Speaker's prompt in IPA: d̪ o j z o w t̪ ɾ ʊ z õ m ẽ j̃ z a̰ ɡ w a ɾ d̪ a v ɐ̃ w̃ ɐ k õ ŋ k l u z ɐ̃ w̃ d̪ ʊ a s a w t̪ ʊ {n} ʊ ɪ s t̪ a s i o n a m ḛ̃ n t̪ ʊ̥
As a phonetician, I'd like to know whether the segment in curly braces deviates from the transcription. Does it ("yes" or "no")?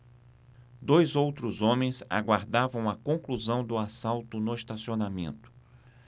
no